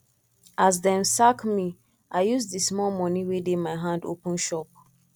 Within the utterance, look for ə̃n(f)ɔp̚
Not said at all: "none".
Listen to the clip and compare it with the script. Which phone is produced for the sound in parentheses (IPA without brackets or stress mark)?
ʃ